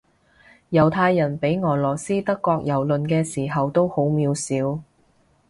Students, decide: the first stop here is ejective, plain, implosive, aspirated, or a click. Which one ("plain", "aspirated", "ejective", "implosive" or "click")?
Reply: aspirated